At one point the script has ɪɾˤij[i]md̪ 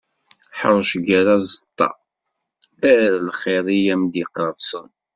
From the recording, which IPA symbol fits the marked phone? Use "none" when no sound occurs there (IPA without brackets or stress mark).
æ